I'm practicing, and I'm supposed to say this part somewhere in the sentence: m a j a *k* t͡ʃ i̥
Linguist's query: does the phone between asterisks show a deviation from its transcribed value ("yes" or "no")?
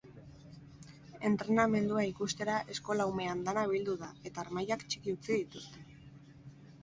no